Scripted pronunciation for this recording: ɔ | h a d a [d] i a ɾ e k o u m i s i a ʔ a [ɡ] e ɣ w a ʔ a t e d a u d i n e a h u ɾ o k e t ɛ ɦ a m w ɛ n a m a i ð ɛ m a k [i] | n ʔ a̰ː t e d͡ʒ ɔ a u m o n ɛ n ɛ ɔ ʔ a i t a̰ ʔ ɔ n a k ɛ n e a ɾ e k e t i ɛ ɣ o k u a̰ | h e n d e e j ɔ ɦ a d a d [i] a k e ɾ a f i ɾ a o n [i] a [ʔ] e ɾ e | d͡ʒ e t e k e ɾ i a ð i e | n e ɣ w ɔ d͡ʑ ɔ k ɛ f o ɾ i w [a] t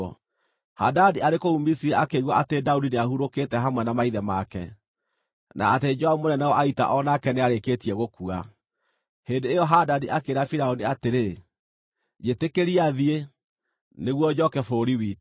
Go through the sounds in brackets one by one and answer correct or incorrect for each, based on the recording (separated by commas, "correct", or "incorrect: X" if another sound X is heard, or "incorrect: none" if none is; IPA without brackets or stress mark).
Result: correct, incorrect: k, incorrect: ɛ, correct, correct, incorrect: t, incorrect: i